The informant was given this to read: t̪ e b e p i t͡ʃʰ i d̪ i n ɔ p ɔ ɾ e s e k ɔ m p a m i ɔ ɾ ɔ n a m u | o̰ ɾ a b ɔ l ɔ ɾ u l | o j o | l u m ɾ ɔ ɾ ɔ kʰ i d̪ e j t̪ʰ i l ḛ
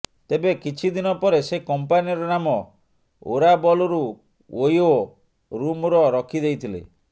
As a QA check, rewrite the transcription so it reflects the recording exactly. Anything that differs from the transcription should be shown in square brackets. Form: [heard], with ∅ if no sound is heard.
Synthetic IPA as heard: t̪ e b e [k] i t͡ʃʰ i d̪ i n ɔ p ɔ ɾ e s e k ɔ m p a [n] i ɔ ɾ ɔ n a m [ɔ] | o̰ ɾ a b ɔ l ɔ ɾ u [∅] | o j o | [ɾ] u m ɾ ɔ ɾ ɔ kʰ i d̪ e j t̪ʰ i l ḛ